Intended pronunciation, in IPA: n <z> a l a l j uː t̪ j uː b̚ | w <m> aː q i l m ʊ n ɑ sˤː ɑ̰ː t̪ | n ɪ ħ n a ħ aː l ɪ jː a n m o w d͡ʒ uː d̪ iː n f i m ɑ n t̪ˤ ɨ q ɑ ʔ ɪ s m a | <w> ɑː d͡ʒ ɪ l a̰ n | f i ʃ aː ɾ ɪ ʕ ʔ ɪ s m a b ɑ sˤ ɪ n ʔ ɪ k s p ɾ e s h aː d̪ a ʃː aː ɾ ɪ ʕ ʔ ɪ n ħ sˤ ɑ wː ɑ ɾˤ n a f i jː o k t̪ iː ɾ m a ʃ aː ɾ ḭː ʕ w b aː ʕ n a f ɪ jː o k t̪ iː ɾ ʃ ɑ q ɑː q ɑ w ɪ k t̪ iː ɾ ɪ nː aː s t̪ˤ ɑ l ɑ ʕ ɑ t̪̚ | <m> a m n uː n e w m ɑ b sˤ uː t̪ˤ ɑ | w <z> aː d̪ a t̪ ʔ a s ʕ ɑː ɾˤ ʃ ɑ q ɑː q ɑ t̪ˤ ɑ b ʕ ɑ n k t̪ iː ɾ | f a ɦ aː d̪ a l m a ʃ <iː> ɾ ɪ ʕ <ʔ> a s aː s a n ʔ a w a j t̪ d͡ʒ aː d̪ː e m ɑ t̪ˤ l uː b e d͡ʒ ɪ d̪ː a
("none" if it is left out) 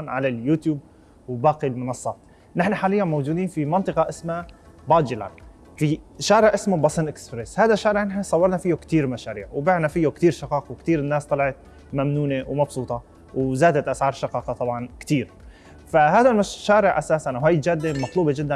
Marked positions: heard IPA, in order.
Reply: ʕ, b, b, m, z, aː, ʔ

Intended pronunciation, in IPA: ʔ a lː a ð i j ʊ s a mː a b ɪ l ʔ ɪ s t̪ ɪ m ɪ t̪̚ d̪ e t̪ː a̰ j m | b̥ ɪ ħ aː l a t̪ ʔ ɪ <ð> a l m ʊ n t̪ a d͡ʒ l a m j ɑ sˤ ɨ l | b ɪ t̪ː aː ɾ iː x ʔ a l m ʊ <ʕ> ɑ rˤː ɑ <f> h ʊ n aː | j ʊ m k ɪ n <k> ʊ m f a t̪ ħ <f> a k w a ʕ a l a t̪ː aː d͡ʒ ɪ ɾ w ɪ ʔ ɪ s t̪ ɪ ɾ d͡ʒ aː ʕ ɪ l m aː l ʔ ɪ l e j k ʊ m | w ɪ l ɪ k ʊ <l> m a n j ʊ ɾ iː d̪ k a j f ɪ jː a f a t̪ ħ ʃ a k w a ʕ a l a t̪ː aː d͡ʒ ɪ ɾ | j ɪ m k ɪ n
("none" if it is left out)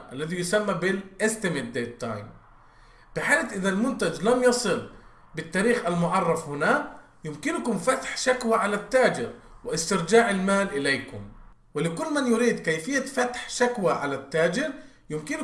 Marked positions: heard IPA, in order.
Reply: ð, ʕ, f, k, ʃ, lː

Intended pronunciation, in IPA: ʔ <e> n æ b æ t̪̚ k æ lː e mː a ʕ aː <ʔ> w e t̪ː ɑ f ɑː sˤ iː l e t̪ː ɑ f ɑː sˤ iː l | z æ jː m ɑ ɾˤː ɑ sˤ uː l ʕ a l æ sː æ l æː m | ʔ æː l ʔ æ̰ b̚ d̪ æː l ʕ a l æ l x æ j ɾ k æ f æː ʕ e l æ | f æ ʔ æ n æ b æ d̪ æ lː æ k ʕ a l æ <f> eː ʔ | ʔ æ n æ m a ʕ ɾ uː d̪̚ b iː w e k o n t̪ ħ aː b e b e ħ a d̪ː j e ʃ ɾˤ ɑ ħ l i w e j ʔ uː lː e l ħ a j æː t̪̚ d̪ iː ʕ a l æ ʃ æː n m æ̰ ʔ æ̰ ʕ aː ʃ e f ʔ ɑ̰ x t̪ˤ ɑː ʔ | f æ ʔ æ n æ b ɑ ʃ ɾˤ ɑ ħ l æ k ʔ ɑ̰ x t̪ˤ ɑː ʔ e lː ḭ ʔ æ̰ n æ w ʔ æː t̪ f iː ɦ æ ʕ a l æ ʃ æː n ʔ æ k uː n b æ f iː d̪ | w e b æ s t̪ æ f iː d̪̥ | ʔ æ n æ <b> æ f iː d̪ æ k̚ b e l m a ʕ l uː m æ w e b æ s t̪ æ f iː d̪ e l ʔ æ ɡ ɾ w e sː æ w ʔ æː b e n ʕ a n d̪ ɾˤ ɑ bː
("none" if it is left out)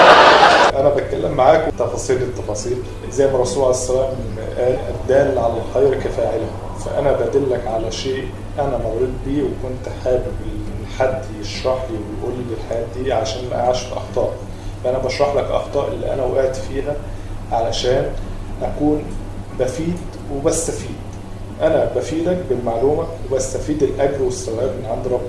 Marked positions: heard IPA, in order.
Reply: æ, k, ʃ, b

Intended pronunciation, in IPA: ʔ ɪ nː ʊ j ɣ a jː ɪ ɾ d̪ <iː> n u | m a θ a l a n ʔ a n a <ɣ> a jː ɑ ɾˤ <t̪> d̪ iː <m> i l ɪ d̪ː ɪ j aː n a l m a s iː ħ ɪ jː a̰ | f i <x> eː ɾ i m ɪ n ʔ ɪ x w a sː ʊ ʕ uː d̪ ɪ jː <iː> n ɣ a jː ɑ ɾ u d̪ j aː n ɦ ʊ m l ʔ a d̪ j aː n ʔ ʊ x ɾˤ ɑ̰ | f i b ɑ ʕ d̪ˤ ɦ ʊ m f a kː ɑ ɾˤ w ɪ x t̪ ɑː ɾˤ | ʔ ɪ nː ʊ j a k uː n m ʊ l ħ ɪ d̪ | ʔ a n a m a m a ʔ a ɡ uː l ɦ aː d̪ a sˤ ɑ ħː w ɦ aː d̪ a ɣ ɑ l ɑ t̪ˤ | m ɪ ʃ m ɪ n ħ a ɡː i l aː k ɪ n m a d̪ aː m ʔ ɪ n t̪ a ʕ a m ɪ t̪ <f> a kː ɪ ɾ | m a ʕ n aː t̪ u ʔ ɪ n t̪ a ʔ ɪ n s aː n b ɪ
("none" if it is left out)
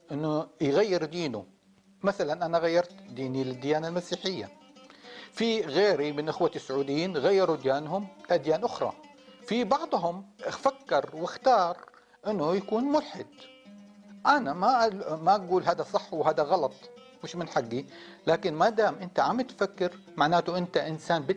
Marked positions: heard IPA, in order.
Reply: iː, ɣ, t̪, n, ɣ, iː, f

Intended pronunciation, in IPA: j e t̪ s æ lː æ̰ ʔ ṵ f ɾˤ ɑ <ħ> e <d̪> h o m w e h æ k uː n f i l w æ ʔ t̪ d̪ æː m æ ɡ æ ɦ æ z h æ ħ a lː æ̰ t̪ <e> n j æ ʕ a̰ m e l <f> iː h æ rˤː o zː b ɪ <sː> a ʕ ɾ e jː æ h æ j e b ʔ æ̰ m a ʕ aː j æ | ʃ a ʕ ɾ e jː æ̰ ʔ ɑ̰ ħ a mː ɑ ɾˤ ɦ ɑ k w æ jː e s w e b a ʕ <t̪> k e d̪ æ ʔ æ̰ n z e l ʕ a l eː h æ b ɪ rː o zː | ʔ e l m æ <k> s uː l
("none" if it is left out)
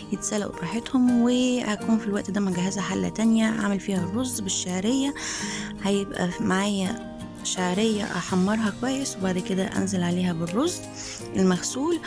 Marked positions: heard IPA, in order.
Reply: ħ, t̪, æ, f, ʃː, d̪, x

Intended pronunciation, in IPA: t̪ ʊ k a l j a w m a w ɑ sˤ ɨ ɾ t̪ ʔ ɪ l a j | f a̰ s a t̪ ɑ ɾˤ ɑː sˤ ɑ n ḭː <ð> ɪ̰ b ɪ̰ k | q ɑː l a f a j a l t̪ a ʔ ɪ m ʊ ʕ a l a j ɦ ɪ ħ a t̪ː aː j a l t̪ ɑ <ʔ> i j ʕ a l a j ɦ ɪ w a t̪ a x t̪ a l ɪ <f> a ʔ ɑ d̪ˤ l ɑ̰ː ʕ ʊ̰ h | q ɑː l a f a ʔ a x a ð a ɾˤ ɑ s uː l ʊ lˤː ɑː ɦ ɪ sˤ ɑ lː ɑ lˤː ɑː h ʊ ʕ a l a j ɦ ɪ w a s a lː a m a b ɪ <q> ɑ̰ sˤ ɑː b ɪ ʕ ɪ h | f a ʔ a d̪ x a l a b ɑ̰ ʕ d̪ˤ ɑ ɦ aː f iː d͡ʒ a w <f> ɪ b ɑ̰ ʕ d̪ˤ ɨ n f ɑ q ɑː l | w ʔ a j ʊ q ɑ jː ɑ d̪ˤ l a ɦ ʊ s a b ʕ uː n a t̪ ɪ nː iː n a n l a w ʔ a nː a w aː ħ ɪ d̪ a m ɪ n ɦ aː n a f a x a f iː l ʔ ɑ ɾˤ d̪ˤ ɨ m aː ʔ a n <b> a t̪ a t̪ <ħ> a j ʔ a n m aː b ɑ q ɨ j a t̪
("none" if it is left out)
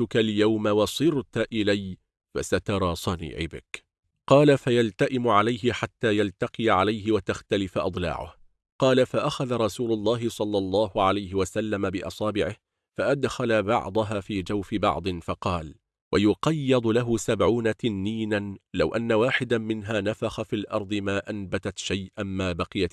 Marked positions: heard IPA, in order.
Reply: ʕ, q, f, ʔ, f, b, ʃ

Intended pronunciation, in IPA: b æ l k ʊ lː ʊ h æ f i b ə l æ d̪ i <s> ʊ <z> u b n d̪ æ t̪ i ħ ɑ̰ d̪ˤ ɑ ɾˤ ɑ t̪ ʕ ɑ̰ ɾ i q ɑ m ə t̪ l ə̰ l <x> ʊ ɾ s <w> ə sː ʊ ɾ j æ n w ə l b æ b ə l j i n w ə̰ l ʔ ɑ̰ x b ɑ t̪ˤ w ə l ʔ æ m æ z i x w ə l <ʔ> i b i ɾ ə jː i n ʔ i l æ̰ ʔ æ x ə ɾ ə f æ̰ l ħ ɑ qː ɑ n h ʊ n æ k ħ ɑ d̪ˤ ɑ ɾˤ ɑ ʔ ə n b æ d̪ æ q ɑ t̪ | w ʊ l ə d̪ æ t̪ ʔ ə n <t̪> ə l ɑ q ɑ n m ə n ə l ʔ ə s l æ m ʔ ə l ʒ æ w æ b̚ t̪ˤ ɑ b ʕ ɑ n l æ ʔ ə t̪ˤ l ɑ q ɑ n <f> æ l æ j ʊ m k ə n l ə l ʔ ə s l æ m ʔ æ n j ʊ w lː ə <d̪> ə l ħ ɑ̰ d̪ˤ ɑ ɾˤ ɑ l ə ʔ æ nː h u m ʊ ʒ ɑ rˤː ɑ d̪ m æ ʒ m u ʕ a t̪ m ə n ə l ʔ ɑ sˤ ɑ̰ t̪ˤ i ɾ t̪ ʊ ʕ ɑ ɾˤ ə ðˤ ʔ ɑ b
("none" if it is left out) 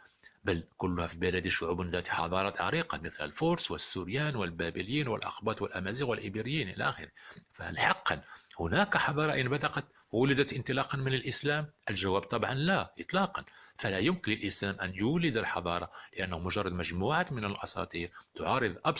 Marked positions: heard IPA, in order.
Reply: ʃ, ʕ, f, w, ʔ, t̪, f, d̪

